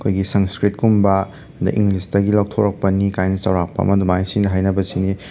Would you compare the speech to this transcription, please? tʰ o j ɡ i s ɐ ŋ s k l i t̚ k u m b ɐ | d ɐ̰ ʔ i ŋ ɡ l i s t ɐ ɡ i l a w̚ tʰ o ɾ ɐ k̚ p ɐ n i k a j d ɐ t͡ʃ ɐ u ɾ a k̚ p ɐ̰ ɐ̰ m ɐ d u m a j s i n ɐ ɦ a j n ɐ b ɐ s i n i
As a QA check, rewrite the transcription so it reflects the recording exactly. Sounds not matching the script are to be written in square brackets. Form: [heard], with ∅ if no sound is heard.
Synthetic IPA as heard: [kʰ] o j ɡ i s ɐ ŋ s k [ɾ] i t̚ k u m b ɐ | d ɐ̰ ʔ i ŋ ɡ l i s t ɐ ɡ i l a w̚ tʰ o ɾ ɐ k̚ p ɐ n i k a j [n] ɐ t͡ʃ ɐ [w] ɾ a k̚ p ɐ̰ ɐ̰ m ɐ d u m a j s i n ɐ ɦ a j n ɐ b ɐ s i n i